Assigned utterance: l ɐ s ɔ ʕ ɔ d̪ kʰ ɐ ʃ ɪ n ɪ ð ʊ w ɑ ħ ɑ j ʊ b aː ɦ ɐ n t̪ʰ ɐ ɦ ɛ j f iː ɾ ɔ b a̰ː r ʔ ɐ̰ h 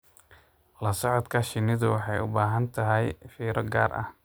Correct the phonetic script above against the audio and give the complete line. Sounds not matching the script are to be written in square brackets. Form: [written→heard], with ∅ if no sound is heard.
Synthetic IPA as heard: l ɐ s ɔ ʕ ɔ d̪ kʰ ɐ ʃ ɪ n ɪ ð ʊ w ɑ ħ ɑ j ʊ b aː ɦ ɐ n t̪ʰ ɐ ɦ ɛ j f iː ɾ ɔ [b→ɡ] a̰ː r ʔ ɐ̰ h